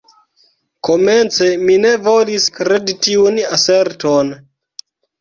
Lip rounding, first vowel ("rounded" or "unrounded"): rounded